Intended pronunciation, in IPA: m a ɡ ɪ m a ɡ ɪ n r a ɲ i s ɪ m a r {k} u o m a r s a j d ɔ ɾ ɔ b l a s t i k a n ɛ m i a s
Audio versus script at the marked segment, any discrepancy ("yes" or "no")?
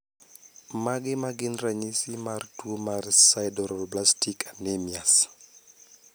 yes